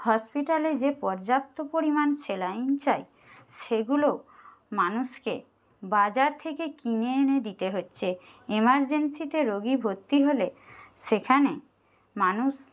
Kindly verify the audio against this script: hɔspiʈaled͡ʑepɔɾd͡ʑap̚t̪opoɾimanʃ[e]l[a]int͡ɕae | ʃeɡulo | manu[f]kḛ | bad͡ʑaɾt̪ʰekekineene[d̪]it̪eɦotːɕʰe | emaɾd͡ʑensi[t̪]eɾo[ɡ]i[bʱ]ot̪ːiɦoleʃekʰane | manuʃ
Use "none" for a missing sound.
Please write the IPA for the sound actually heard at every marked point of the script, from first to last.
e, a, ʃ, d̪, t̪, ɡ, bʱ

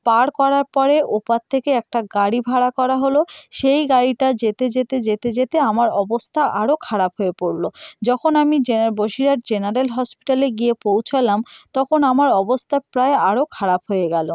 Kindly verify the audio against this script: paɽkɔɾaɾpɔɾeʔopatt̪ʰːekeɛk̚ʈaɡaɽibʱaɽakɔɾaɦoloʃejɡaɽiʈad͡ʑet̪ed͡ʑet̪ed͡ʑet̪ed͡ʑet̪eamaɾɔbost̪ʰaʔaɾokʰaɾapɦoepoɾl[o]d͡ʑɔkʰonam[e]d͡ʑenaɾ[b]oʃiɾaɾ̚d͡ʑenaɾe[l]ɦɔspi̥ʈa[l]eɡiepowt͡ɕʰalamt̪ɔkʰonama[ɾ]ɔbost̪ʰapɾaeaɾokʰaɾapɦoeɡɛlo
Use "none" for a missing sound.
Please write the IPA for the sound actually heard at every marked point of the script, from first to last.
o, i, b, l, l, ɾ

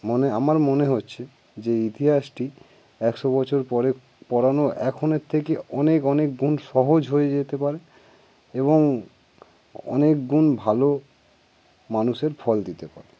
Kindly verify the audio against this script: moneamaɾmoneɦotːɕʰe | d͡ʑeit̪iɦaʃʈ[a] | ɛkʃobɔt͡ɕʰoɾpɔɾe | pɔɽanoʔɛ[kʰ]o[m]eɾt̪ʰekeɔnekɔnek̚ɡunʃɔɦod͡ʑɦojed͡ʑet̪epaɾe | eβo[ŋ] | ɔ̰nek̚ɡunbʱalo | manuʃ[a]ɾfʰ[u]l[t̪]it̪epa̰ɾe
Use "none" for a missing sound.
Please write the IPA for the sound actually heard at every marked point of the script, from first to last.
i, kʰ, n, ŋ, e, ɔ, d̪

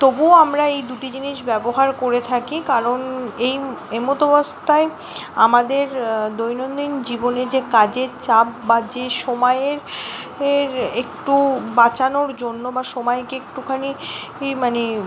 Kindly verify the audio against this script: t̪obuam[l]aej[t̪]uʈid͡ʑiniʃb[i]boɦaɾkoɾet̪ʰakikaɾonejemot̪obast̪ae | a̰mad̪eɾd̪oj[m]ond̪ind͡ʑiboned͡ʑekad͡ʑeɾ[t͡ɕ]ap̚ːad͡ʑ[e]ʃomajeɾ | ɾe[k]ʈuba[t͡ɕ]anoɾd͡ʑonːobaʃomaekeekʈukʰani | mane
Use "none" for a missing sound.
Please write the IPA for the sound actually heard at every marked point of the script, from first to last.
ɾ, d̪, ɛ, n, t͡ɕ, e, k, t͡ɕ

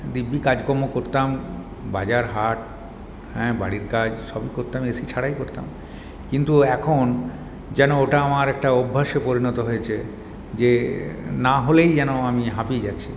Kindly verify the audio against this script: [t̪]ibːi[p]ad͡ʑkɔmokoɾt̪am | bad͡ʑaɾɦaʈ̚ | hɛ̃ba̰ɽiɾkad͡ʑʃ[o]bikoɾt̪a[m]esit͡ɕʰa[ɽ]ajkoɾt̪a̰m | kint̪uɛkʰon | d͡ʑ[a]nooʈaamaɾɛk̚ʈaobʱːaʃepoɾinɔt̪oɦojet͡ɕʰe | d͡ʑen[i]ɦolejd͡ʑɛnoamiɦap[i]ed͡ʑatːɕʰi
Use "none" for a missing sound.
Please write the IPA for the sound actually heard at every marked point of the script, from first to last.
d̪, k, ɔ, m, ɽ, ɛ, a, i

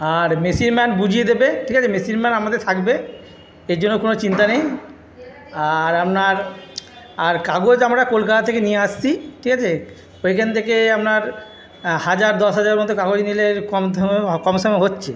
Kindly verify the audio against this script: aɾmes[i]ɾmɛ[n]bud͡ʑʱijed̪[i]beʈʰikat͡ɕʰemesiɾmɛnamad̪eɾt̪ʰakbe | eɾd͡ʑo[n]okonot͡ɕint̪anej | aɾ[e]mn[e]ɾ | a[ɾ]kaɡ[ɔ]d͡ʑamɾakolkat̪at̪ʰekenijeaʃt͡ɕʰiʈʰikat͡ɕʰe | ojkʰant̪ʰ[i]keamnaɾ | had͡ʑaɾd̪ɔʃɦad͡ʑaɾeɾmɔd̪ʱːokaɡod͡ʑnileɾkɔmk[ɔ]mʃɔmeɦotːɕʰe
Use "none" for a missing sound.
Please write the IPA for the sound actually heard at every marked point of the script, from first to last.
i, n, e, nː, a, a, ɾ, o, e, ɔ

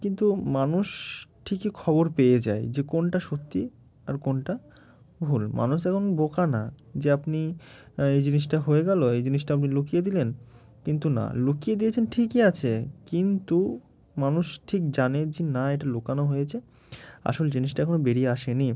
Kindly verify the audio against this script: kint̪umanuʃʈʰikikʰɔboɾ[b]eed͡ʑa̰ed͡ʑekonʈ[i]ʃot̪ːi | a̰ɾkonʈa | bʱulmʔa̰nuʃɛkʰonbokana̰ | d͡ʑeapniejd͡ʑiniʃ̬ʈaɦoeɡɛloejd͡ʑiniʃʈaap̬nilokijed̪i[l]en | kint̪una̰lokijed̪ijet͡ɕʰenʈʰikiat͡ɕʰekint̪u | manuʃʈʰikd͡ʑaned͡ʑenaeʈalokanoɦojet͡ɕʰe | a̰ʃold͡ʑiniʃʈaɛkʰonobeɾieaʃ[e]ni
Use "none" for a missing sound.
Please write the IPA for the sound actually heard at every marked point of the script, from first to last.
p, a, l, e

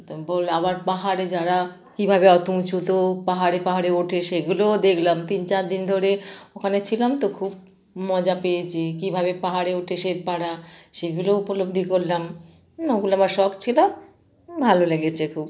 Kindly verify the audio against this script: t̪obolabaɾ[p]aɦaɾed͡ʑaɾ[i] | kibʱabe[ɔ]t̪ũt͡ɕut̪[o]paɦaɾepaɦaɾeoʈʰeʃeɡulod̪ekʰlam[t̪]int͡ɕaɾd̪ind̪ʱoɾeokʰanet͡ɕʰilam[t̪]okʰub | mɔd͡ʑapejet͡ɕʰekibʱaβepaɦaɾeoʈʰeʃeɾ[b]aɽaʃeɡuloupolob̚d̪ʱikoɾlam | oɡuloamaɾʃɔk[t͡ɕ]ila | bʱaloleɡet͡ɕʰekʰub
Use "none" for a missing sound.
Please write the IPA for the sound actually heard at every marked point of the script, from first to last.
p, a, ɔ, o, t̪, t̪, p, t͡ɕʰ

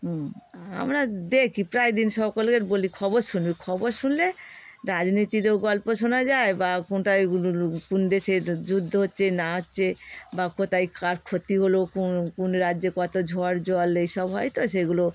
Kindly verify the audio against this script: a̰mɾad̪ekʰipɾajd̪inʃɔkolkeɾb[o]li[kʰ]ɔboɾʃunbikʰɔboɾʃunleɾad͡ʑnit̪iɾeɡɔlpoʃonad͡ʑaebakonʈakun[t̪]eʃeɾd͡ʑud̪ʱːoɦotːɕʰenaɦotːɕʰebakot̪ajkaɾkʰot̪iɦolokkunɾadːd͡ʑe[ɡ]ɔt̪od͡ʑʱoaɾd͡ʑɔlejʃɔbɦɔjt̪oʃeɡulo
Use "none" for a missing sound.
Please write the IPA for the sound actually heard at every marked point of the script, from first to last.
o, kʰ, d̪, k

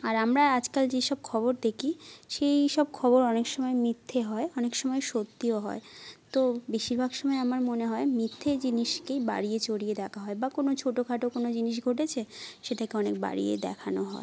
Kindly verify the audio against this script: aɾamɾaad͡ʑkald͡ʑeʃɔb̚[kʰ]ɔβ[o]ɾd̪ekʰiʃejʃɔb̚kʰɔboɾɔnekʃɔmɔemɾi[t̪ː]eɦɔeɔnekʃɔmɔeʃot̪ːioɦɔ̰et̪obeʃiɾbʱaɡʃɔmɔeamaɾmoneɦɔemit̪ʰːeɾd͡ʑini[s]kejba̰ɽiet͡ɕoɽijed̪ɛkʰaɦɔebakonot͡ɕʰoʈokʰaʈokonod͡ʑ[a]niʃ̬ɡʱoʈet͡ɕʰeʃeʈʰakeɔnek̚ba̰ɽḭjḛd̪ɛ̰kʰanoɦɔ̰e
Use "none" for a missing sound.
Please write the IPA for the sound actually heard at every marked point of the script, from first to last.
kʰ, o, t̪ʰː, ʃ, i

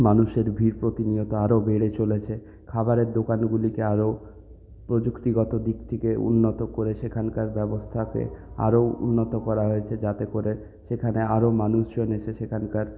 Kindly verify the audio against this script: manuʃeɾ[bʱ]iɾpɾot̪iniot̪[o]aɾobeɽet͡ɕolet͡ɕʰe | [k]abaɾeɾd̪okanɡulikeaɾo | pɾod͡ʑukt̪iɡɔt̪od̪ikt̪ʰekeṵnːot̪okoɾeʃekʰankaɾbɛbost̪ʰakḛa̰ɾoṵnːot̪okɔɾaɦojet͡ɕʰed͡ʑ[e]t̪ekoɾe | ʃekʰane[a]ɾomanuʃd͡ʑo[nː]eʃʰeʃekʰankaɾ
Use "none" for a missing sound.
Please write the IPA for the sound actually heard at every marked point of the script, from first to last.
bʱ, o, kʰ, a, a, n

